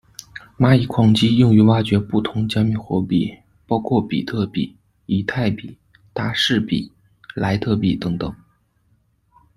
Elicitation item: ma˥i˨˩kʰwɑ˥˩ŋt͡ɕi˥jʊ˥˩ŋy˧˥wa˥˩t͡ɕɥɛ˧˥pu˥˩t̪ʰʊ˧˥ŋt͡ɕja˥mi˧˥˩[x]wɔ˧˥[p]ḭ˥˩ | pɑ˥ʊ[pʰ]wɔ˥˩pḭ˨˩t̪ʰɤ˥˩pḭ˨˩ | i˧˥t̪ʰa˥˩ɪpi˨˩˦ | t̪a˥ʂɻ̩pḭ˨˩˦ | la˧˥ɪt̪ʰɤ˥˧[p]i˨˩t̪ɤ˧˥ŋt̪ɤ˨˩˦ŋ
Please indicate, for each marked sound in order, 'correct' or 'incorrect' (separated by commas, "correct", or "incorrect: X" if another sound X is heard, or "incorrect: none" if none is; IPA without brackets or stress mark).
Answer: correct, correct, incorrect: kʰ, correct